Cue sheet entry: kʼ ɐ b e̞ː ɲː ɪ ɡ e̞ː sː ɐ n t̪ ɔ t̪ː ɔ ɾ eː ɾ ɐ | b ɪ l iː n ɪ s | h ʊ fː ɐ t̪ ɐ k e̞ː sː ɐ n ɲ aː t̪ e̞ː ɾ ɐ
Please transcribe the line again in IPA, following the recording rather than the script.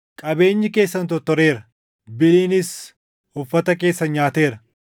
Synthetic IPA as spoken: kʼ ɐ b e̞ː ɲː ɪ k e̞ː sː ɐ n t̪ ɔ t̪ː ɔ ɾ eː ɾ ɐ | b ɪ l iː n ɪ s | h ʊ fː ɐ t̪ ɐ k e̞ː sː ɐ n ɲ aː t̪ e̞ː ɾ ɐ